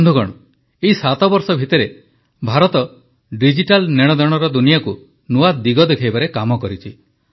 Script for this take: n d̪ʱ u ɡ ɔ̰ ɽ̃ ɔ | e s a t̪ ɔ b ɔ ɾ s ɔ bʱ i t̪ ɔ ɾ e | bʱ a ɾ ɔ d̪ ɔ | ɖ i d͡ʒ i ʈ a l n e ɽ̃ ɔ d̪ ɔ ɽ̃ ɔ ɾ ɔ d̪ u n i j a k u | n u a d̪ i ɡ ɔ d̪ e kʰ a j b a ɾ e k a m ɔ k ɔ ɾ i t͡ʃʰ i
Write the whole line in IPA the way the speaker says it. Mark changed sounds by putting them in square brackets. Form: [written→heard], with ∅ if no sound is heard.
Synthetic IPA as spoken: n d̪ʱ u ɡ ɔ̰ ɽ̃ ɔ | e s a t̪ ɔ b ɔ ɾ s ɔ bʱ i t̪ ɔ ɾ e | bʱ a ɾ ɔ [d̪→t̪] ɔ | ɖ i d͡ʒ i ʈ a l n e ɽ̃ ɔ d̪ ɔ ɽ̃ ɔ ɾ ɔ d̪ u n i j a k u | n u a d̪ i ɡ ɔ d̪ e kʰ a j b a ɾ e k a m ɔ k ɔ ɾ i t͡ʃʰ i